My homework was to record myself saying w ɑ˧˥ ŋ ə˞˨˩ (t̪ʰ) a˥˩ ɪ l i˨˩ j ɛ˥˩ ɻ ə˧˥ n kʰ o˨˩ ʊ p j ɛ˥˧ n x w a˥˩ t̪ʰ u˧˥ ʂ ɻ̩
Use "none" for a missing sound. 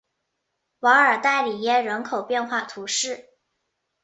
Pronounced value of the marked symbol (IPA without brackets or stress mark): t̪